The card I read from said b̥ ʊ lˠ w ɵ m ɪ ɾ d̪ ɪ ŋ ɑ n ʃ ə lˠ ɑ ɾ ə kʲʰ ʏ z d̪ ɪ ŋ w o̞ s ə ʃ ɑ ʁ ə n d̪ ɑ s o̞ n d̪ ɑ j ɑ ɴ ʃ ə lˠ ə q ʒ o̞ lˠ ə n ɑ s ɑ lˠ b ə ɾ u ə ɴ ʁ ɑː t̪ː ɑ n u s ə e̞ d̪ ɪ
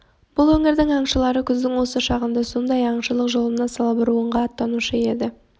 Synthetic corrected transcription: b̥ ʊ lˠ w ɵ ŋ ɪ ɾ d̪ ɪ ŋ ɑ ɴ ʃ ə lˠ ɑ ɾ ə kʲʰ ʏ z d̪ ɪ ŋ w o̞ s ə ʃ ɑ ʁ ə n d̪ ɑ s o̞ n d̪ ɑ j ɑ ɴ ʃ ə lˠ ə q ʒ o̞ lˠ ə n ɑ s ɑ lˠ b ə ɾ u ə ɴ ʁ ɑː t̪ː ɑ n u ʃ ə e̞ d̪ ɪ